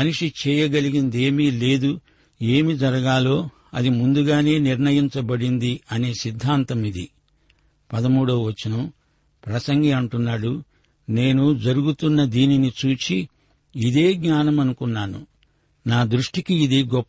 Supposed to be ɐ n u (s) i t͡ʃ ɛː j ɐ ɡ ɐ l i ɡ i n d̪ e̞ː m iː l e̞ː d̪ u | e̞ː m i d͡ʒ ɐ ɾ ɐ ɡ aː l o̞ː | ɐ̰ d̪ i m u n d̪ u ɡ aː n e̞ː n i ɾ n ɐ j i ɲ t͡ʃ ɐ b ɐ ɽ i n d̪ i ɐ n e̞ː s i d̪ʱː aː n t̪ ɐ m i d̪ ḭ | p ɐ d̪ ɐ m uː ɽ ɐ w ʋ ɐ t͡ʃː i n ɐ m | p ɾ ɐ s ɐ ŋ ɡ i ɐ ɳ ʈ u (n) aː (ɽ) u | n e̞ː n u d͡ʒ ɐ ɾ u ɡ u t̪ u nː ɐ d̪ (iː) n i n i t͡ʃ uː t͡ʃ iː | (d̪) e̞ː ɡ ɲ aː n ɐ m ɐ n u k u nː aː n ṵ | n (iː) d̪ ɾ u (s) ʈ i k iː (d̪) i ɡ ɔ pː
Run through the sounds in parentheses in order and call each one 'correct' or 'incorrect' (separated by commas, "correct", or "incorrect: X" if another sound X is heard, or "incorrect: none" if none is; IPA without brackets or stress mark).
incorrect: ʂ, incorrect: nː, correct, correct, correct, incorrect: aː, incorrect: ʂ, correct